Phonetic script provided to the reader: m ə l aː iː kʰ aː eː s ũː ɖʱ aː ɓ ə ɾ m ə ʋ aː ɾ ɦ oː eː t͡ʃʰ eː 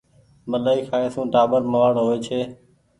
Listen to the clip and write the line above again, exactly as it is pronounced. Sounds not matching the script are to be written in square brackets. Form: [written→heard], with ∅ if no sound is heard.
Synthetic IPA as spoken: m ə l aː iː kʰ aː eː s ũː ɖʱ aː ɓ ə ɾ m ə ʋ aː [ɾ→ɽ] ɦ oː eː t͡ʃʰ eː

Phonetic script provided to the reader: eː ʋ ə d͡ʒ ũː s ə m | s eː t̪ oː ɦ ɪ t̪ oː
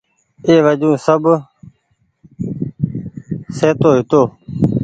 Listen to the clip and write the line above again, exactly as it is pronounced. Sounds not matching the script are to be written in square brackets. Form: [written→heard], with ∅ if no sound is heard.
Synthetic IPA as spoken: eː ʋ ə d͡ʒ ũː s ə [m→b] | s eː t̪ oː ɦ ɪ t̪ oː

